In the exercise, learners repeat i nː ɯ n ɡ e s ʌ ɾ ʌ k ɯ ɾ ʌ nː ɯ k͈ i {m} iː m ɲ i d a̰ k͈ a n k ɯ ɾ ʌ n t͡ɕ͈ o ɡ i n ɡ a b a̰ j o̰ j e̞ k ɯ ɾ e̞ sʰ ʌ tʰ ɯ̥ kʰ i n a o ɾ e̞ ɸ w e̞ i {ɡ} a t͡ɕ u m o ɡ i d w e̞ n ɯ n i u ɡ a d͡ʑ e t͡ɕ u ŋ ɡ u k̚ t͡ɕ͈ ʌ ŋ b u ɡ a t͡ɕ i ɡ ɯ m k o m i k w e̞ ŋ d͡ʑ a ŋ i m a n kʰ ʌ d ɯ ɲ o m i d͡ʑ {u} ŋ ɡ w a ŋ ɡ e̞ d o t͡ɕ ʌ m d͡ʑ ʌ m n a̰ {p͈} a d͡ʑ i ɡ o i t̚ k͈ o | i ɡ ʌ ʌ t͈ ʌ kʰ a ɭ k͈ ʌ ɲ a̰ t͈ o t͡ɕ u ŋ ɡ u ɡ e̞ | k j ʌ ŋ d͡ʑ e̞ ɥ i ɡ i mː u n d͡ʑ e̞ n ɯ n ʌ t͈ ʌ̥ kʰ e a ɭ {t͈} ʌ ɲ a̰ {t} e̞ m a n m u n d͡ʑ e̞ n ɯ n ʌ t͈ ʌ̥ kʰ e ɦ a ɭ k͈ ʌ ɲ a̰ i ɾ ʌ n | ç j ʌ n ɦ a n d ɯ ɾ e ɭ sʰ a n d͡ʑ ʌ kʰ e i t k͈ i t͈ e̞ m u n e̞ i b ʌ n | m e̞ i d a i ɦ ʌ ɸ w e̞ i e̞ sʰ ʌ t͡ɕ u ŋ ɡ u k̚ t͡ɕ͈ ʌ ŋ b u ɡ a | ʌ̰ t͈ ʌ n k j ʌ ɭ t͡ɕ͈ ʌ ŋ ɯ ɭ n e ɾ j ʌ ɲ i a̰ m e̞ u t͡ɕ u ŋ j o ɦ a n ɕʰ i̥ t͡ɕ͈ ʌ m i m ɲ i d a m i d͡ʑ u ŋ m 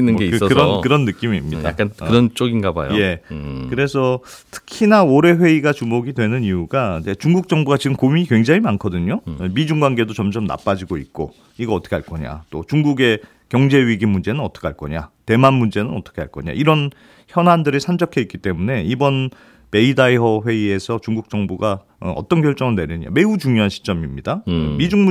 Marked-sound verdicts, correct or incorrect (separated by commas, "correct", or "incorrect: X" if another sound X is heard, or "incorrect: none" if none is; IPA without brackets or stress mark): correct, correct, correct, correct, incorrect: k͈, correct